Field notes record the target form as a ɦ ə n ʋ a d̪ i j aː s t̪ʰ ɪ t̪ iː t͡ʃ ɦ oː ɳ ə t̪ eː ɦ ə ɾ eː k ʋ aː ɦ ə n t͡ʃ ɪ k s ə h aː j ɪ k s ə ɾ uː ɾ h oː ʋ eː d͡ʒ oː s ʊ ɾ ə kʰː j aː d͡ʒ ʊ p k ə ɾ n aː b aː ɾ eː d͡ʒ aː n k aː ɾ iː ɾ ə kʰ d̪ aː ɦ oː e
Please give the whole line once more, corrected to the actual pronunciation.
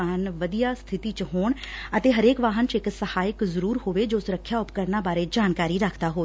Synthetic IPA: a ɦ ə n ʋ ə d̪ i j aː s t̪ʰ ɪ t̪ iː t͡ʃ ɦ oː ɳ ə t̪ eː ɦ ə ɾ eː k ʋ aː ɦ ə n t͡ʃ ɪ k s ə h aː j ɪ k z ə ɾ uː ɾ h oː ʋ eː d͡ʒ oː s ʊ ɾ ə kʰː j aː ʊ p k ə ɾ n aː b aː ɾ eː d͡ʒ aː n k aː ɾ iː ɾ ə kʰ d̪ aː ɦ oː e

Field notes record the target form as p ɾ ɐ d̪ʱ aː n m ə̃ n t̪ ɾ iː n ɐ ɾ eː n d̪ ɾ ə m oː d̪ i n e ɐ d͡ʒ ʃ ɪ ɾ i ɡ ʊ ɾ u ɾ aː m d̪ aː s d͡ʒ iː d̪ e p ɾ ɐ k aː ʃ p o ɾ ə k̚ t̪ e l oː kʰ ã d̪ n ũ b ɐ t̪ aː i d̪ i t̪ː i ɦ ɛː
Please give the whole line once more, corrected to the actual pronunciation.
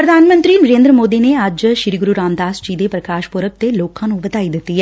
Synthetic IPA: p ɾ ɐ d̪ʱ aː n m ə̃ n t̪ ɾ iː n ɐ ɾ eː n d̪ ɾ ə m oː d̪ i n e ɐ d͡ʒ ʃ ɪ ɾ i ɡ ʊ ɾ u ɾ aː m d̪ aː s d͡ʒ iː d̪ e p ɾ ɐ k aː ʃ p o ɾ ə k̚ t̪ e l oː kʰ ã n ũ b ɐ t̪ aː i d̪ ɪ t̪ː i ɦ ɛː

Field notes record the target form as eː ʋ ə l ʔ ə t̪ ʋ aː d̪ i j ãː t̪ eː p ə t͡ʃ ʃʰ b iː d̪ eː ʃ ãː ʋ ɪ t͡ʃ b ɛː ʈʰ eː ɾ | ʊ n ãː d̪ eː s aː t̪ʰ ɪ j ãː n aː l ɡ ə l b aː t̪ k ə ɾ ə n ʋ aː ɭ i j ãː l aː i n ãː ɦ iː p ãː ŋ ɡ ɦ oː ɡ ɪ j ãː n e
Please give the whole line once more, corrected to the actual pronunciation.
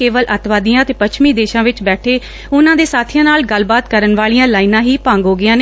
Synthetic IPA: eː ʋ ə l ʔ ə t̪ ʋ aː d̪ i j ãː t̪ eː p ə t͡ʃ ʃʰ m iː d̪ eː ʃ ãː ʋ ɪ t͡ʃ b ɛː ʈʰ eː | ʊ n ãː d̪ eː s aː t̪ʰ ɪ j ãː n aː l ɡ ə l b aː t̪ k ə ɾ ə n ʋ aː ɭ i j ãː l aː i n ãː ɦ iː p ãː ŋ ɡ ɦ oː ɡ ɪ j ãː n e

